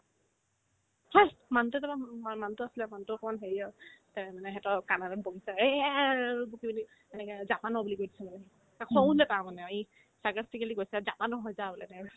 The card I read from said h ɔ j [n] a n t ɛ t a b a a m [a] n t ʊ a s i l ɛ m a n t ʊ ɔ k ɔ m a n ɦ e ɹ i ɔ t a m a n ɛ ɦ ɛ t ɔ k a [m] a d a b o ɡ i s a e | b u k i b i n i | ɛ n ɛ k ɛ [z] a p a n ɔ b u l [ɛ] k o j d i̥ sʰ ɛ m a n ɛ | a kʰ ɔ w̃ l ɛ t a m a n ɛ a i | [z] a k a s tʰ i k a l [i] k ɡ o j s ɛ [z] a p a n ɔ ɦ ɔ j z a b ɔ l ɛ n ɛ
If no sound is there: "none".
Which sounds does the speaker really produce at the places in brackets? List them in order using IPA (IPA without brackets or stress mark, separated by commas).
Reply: m, a, n, z, i, s, i, z